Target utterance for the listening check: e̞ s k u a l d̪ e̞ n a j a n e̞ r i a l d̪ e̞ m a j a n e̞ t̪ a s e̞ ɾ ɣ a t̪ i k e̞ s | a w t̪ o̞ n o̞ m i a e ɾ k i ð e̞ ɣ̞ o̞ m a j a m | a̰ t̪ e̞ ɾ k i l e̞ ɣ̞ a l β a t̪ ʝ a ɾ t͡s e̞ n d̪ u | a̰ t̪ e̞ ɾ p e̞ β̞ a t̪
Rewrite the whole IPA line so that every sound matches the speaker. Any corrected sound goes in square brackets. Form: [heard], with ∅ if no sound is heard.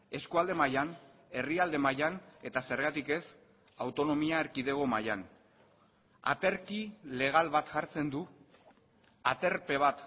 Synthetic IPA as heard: e̞ s k u a l d̪ e̞ [m] a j a n e̞ r i a l d̪ e̞ m a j a n e̞ t̪ a s e̞ ɾ ɣ a t̪ i k e̞ s | a w t̪ o̞ n o̞ m i a e ɾ k i ð e̞ ɣ̞ o̞ m a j a [n] | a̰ t̪ e̞ ɾ k i l e̞ ɣ̞ a l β a t̪ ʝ a ɾ t͡s e̞ n d̪ u | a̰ t̪ e̞ ɾ p e̞ β̞ a t̪